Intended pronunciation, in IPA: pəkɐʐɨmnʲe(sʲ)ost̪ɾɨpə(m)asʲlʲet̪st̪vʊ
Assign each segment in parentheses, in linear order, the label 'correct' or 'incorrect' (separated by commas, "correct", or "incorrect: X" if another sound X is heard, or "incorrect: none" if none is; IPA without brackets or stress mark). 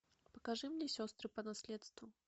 correct, incorrect: n